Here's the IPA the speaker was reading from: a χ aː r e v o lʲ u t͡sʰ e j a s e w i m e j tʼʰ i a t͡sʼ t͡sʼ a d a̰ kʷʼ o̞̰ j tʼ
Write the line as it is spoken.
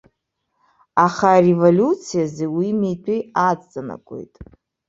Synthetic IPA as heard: a χ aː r e v o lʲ u t͡sʰ i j a z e w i m e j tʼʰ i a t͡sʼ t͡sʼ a n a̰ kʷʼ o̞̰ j tʼ